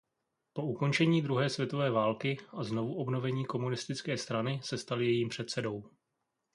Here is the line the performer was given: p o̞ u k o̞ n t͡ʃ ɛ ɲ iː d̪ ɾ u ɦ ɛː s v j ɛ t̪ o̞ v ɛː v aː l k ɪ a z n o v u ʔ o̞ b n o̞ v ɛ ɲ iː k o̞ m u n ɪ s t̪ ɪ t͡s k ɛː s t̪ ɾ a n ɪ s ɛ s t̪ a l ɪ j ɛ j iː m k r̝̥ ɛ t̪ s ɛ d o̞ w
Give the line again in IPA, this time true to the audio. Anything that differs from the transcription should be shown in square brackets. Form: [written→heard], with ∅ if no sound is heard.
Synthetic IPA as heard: p o̞ u k o̞ n t͡ʃ ɛ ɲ iː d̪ ɾ u ɦ ɛː s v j ɛ t̪ o̞ v ɛː v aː l k ɪ a z n o v u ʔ o̞ b n o̞ v ɛ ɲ iː k o̞ m u n ɪ s t̪ ɪ t͡s k ɛː s t̪ ɾ a n ɪ s ɛ s t̪ a l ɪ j ɛ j iː m [k→p] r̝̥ ɛ t̪ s ɛ d o̞ w